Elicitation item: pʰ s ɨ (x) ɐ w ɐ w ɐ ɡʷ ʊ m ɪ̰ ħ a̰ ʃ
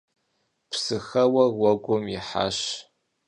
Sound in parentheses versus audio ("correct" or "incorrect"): correct